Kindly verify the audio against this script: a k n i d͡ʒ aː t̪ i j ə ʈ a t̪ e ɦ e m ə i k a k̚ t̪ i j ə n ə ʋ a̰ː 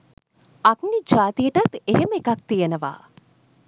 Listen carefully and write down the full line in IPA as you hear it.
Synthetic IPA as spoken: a k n i d͡ʒ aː t̪ i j ə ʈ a t̪ e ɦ e m ə e k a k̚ t̪ i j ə n ə ʋ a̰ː